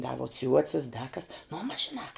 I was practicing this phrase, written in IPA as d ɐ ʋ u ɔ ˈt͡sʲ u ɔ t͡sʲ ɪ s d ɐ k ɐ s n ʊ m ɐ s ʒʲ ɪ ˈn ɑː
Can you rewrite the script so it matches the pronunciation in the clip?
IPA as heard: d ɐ ʋ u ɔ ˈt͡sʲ u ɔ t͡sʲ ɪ s d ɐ k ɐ s n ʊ m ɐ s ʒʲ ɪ ˈn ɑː